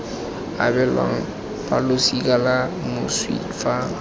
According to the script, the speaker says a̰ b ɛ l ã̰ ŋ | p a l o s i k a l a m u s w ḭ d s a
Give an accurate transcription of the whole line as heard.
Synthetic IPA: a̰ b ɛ l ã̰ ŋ | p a l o s i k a l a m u s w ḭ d f a